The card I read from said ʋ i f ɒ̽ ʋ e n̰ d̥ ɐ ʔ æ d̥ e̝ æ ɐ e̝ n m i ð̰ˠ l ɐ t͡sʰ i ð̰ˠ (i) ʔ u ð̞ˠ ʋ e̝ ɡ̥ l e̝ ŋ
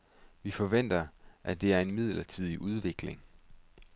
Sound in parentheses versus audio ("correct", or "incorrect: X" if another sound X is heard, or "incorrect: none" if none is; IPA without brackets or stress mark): correct